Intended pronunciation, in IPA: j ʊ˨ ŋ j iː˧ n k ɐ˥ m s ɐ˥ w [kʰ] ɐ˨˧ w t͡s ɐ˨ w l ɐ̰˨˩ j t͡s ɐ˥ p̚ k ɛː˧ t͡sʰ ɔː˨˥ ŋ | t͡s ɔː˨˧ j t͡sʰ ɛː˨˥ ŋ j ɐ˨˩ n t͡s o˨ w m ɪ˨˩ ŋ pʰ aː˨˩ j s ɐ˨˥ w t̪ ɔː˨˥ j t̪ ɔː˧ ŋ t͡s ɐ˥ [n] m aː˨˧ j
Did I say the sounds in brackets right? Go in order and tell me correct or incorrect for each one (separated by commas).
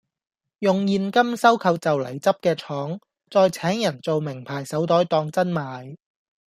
correct, correct